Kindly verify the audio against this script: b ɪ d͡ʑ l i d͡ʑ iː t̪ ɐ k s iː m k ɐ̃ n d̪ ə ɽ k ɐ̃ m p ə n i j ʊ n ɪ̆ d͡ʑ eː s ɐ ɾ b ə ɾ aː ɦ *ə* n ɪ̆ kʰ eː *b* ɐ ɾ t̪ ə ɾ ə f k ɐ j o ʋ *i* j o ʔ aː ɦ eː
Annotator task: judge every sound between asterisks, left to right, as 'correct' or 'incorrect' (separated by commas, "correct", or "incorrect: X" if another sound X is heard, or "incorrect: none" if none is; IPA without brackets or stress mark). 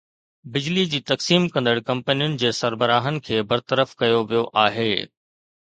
correct, correct, correct